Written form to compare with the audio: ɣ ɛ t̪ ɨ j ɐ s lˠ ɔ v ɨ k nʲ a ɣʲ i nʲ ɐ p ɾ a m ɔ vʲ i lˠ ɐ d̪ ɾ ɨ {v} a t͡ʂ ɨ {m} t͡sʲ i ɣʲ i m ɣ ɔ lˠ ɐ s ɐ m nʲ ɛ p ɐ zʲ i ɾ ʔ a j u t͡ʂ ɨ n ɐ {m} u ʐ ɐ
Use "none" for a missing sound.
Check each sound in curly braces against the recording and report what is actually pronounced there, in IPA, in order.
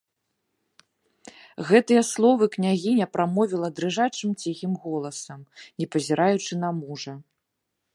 ʐ, m, m

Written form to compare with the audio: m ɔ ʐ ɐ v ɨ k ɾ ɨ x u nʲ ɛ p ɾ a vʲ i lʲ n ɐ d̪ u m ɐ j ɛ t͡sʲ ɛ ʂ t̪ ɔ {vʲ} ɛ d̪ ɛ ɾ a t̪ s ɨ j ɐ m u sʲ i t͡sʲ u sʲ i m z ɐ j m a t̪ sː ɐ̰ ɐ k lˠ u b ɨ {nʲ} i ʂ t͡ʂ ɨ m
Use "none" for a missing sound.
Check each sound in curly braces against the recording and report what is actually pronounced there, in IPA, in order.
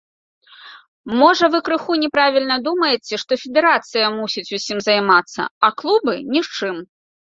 fʲ, nʲ

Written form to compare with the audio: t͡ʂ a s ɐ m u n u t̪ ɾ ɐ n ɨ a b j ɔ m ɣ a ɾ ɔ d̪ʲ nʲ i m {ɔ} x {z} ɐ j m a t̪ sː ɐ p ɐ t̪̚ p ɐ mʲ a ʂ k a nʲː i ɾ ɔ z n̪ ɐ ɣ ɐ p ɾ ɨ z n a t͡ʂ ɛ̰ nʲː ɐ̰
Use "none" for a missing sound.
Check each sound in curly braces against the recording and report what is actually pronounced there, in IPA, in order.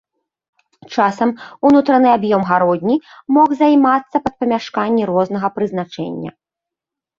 ɔ, z

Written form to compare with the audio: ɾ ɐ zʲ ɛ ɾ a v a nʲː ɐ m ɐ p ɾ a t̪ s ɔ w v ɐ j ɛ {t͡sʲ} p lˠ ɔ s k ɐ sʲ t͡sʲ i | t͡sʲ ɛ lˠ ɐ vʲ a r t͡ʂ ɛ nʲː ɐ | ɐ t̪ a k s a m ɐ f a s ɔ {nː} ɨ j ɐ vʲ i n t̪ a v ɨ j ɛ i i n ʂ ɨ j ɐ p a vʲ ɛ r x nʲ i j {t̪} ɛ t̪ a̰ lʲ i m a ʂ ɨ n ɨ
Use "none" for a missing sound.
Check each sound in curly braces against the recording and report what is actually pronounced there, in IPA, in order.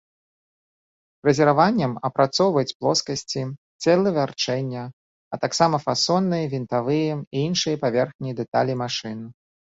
t͡sʲ, nː, d̪

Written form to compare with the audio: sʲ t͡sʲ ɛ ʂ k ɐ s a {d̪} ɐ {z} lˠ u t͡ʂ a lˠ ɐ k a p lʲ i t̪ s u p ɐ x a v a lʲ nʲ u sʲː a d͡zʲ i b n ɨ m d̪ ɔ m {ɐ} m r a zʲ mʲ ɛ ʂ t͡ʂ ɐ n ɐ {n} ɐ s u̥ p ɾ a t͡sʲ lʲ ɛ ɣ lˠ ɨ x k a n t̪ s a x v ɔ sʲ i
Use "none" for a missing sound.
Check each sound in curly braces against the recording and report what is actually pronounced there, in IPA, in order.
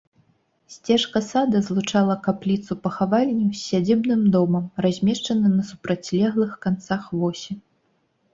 d̪, z, ɐ, n

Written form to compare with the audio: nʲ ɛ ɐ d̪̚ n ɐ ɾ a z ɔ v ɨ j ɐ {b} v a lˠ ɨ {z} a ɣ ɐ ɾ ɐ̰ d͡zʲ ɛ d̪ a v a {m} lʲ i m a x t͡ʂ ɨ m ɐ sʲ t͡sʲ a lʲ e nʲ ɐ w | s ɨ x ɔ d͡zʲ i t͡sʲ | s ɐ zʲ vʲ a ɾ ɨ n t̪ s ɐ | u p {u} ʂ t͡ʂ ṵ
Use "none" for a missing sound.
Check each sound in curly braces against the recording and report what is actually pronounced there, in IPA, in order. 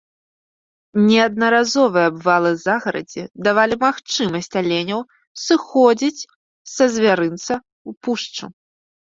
b, z, none, u

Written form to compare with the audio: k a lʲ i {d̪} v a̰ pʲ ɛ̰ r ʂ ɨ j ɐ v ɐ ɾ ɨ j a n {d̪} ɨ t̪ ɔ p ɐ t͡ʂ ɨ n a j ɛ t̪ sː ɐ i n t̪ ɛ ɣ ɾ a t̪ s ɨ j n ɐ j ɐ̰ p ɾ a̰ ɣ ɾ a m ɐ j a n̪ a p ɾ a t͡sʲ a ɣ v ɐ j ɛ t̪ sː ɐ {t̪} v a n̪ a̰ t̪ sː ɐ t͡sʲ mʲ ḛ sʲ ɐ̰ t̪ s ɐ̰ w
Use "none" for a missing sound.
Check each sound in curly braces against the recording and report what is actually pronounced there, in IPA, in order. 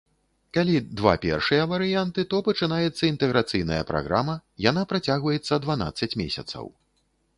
d̪, t̪, d̪

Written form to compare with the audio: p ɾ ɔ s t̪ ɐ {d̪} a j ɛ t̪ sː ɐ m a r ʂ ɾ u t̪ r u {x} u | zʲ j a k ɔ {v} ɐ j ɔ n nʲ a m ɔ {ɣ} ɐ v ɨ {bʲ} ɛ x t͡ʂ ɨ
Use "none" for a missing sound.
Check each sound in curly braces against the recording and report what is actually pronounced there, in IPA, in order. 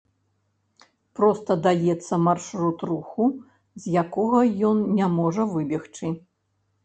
d̪, x, ɣ, ʐ, bʲ

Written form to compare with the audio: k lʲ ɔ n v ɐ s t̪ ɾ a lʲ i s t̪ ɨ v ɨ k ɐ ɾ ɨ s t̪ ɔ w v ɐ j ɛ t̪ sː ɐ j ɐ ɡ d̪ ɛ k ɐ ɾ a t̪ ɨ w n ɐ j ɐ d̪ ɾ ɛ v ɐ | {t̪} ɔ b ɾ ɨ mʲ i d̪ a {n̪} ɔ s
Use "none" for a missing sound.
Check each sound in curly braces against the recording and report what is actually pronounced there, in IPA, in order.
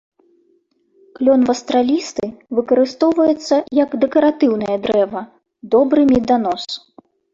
d̪, n̪

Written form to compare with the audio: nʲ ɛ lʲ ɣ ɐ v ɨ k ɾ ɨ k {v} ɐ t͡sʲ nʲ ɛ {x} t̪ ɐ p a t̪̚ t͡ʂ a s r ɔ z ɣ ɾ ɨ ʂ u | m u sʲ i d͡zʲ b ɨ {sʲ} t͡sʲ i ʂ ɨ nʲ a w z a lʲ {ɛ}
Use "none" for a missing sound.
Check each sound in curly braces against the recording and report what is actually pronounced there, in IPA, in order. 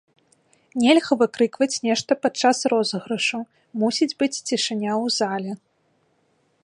v, ʂ, t͡sʲ, ɛ

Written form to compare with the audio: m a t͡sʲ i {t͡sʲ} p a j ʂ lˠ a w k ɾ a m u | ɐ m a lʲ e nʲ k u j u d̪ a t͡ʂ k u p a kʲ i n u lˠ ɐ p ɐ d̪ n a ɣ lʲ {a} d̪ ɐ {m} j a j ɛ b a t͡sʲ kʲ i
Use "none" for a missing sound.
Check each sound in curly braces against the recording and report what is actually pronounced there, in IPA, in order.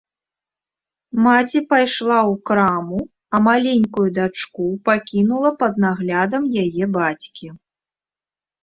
none, a, m

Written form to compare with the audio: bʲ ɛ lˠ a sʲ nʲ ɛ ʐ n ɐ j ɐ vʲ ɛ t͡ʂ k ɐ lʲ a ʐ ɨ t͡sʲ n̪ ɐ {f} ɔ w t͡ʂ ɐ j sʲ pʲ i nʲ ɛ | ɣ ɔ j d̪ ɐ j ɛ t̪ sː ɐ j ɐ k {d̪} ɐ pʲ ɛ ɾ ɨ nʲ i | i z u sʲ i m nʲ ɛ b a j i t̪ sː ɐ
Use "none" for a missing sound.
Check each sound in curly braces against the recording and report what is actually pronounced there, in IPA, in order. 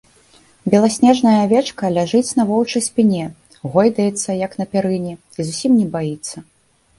v, n̪

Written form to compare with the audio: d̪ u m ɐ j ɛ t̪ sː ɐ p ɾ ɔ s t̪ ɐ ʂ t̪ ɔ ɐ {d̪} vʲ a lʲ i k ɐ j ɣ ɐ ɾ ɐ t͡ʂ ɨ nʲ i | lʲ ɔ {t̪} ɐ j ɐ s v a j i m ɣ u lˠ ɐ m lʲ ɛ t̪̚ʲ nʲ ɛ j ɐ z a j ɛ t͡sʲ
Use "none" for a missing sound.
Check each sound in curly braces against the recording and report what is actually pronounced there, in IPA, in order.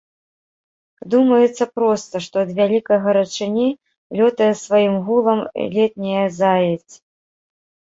d̪, t̪

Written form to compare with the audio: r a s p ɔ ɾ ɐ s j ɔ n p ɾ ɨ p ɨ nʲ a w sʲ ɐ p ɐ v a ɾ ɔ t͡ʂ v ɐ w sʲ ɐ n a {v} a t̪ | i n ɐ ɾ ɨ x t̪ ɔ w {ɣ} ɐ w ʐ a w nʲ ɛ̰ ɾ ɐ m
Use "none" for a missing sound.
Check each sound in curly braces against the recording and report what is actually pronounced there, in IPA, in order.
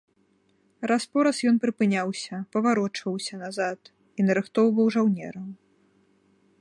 z, v

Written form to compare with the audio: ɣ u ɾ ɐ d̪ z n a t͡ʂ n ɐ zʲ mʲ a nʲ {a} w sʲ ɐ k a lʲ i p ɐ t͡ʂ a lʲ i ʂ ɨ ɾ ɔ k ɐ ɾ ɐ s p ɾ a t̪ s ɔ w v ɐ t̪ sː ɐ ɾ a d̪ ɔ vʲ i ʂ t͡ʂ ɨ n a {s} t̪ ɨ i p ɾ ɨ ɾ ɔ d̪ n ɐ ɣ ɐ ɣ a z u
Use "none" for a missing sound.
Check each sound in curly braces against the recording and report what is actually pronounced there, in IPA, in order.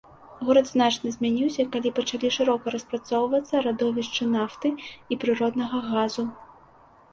i, f

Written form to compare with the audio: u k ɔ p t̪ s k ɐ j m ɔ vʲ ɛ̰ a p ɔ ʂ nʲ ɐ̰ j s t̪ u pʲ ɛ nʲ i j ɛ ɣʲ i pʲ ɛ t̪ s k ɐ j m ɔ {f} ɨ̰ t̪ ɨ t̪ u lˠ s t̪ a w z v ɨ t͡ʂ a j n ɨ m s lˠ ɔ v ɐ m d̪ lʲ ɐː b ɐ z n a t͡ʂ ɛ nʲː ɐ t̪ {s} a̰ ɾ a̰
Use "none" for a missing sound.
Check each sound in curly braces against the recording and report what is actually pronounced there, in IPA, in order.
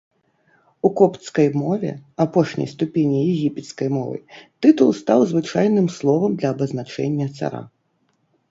v, s

